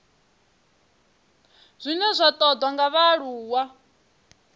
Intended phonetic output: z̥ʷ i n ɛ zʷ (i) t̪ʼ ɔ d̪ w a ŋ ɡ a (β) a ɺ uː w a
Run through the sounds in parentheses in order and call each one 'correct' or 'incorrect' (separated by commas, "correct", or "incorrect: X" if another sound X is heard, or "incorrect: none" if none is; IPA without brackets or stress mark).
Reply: incorrect: a, correct